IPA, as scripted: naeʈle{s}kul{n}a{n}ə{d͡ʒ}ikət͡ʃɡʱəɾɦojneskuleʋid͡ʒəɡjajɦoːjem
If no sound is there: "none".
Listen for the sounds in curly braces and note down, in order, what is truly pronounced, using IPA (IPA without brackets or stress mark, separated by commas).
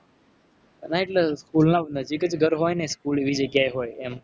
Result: s, n, n, d͡ʒ